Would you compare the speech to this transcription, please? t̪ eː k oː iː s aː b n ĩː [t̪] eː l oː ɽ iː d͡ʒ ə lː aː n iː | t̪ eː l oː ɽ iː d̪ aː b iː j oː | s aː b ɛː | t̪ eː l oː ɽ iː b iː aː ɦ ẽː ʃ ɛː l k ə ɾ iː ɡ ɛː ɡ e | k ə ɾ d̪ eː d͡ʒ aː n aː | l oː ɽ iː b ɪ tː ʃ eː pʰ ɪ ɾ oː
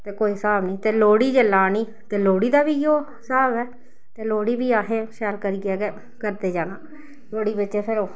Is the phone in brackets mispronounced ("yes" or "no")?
no